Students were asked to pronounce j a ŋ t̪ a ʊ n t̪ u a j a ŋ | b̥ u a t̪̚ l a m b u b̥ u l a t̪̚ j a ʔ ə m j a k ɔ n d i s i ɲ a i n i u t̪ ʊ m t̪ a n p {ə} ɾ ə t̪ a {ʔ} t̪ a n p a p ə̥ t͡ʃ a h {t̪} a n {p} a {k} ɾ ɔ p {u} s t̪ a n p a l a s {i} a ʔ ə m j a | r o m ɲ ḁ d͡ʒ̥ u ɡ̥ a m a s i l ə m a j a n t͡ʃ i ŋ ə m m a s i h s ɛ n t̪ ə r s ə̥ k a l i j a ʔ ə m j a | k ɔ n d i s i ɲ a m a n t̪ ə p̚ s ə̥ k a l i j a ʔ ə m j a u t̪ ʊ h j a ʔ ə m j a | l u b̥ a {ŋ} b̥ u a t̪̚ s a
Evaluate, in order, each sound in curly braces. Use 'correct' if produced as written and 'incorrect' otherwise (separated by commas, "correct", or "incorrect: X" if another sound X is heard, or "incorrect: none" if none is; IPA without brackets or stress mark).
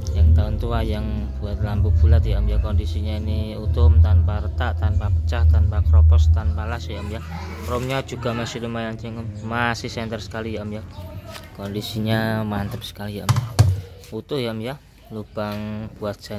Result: incorrect: a, correct, correct, correct, correct, incorrect: ɔ, incorrect: j, correct